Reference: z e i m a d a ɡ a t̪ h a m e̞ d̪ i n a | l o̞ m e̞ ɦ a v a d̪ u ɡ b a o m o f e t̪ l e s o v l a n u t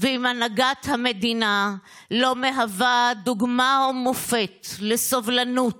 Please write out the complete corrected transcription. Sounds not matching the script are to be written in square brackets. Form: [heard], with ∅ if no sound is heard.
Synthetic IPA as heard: [v] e i m a [n] a ɡ a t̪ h a m e̞ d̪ i n a | l o̞ m e̞ ɦ a v a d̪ u ɡ [m] a o m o f e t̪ l e s o v l a n u t